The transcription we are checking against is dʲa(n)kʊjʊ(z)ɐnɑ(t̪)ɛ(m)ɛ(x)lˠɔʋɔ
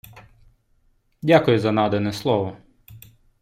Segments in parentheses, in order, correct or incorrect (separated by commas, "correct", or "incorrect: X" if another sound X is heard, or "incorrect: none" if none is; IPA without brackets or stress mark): incorrect: none, correct, incorrect: d̪, incorrect: n, incorrect: s